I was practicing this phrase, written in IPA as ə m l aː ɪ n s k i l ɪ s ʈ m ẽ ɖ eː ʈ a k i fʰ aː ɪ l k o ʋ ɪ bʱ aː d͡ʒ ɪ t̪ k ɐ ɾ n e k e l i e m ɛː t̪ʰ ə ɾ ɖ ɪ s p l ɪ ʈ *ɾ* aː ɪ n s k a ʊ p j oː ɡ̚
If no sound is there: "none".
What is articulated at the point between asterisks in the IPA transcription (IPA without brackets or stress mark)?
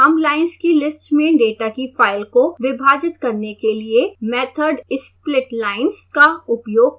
l